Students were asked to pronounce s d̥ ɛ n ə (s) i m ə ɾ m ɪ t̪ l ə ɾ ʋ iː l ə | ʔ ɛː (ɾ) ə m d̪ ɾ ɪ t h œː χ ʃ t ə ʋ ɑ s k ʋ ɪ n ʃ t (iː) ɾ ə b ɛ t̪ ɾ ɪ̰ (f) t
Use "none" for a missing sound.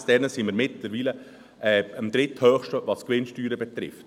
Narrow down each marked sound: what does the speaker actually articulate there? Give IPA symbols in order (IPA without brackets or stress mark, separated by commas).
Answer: s, none, yː, f